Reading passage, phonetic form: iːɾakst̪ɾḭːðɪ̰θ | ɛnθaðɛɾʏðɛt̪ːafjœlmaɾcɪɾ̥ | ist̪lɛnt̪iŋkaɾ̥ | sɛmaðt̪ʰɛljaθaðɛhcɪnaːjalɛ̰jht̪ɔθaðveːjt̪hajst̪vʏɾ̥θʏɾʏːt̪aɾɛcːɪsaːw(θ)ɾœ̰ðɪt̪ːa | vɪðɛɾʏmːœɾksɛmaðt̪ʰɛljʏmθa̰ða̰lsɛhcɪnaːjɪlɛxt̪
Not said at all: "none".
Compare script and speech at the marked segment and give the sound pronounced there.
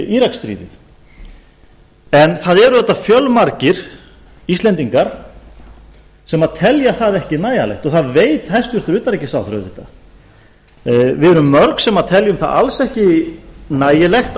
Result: θ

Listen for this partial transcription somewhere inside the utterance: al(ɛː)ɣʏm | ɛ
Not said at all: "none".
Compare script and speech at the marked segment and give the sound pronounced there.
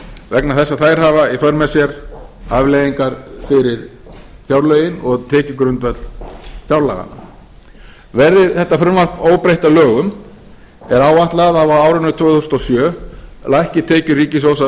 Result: œː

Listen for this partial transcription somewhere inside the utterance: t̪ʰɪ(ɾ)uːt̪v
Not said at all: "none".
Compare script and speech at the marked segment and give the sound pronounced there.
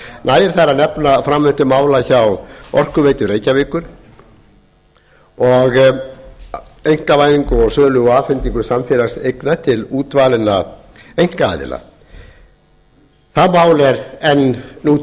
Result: l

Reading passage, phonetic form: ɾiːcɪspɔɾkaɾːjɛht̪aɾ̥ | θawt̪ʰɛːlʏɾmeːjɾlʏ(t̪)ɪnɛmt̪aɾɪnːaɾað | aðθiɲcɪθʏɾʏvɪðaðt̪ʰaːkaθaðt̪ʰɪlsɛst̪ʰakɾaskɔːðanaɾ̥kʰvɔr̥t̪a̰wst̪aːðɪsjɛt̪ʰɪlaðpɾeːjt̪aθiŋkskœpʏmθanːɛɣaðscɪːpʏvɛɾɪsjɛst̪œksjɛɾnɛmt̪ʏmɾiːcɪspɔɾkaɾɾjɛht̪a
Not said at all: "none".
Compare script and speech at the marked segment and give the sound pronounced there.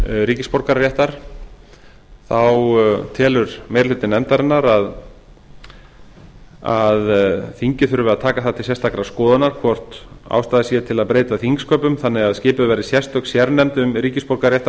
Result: t̪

